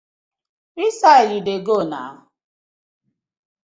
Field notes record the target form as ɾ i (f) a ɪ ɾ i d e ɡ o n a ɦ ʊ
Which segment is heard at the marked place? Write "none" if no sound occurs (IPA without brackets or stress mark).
s